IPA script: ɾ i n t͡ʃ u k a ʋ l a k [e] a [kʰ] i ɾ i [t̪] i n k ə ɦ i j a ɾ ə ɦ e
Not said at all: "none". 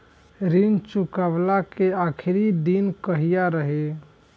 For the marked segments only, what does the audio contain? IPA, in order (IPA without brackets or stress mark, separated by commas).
e, kʰ, d̪